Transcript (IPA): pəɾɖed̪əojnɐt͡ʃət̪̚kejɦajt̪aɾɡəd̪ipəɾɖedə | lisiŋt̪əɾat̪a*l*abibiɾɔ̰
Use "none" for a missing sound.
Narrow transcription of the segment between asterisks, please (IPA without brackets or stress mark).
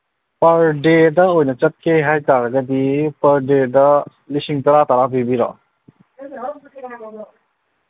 ɾ